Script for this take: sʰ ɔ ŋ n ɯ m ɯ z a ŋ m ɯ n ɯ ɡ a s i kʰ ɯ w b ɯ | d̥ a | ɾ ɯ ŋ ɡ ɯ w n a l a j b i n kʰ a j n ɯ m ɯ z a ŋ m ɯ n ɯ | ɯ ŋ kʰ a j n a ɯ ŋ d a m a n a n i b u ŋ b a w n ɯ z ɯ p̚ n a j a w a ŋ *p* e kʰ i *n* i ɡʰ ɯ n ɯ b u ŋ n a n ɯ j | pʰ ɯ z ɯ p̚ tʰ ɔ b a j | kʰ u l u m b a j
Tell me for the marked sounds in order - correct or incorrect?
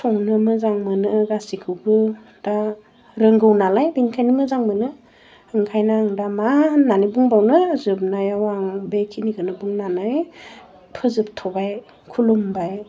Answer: incorrect: b, correct

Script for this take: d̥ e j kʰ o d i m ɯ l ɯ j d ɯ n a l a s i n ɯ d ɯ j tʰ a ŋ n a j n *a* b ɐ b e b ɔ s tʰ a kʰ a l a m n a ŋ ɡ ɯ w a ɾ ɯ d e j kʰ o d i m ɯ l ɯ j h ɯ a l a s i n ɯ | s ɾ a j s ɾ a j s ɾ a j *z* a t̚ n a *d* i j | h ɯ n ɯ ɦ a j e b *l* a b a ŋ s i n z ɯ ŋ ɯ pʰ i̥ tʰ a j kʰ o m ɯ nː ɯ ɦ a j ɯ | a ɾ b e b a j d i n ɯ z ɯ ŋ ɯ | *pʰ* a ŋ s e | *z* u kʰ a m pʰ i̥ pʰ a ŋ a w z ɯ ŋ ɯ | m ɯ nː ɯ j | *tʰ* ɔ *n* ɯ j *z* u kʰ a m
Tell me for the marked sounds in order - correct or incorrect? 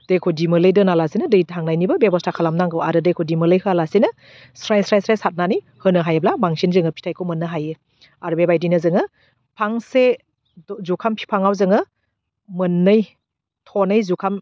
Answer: incorrect: i, incorrect: s, incorrect: n, correct, correct, correct, correct, correct, correct

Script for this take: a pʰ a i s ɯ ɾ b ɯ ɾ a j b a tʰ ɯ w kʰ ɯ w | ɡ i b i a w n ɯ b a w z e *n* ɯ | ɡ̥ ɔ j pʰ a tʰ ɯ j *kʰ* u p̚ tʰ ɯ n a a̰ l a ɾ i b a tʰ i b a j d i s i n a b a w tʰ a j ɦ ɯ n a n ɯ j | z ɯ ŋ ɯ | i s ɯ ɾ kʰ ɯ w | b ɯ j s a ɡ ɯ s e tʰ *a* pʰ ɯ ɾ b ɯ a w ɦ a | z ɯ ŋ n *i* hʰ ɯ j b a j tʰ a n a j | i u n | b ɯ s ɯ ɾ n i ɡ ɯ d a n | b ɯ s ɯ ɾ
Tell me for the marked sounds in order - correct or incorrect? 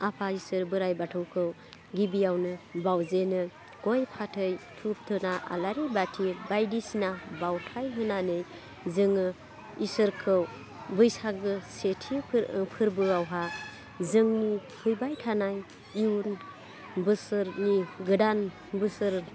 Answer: correct, incorrect: tʰ, incorrect: i, correct

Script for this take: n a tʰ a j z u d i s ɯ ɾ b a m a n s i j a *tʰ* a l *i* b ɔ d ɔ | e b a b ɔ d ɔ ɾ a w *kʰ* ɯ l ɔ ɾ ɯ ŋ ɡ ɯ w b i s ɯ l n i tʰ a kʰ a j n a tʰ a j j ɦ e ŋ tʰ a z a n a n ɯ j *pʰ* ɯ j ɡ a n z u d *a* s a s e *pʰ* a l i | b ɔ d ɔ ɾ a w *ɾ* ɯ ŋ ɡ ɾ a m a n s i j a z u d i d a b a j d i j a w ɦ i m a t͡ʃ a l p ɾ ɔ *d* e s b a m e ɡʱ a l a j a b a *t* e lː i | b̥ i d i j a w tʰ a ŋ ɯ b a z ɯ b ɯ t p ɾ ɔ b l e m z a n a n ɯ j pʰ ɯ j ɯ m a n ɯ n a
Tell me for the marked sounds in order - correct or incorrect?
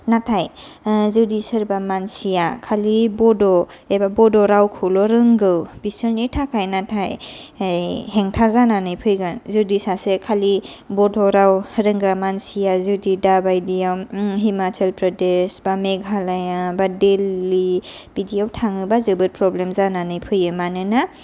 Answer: incorrect: kʰ, correct, correct, correct, incorrect: i, incorrect: kʰ, correct, correct, incorrect: d

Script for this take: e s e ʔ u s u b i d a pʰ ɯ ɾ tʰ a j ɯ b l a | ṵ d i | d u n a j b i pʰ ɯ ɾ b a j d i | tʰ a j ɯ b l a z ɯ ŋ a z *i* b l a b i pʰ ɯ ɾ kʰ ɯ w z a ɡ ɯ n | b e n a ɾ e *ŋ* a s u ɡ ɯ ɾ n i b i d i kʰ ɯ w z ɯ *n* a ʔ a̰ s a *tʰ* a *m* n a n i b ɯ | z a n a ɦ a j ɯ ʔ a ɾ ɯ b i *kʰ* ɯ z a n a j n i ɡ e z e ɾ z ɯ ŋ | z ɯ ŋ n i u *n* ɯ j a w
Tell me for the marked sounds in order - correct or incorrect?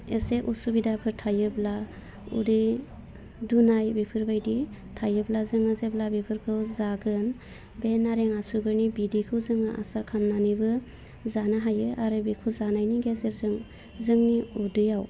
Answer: incorrect: e, correct, incorrect: ŋ, incorrect: kʰ, correct, correct, incorrect: d

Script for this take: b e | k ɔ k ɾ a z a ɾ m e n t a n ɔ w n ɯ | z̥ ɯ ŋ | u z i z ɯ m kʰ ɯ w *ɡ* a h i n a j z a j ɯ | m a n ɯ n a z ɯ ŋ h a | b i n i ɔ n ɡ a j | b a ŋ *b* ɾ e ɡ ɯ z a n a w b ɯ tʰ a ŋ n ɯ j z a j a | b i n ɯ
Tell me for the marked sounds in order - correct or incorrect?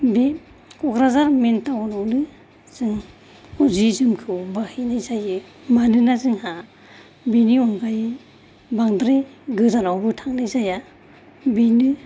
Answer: incorrect: b, incorrect: d

